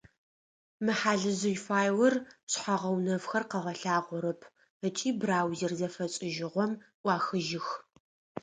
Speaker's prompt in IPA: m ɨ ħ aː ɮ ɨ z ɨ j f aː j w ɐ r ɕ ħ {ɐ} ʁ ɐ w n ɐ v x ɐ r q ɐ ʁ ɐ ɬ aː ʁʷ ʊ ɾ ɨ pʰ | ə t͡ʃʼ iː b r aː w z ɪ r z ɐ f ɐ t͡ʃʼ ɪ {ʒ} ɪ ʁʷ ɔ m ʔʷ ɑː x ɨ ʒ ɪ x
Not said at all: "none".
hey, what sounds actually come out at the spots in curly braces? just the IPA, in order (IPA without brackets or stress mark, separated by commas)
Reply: a, ʒ